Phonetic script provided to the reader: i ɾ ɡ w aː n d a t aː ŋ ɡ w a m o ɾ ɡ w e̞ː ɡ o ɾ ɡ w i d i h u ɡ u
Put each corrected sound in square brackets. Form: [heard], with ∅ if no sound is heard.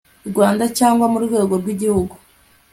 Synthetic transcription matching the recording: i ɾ ɡ w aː n d a [c] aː ŋ ɡ w a m [u] ɾ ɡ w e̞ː ɡ o ɾ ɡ w i [ɟ] i h u ɡ u